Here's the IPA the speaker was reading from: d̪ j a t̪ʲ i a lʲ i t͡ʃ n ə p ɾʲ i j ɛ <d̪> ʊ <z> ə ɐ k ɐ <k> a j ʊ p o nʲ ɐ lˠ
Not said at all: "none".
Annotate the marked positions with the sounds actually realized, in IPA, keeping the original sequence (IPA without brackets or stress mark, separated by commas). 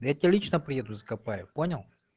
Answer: d̪, z, p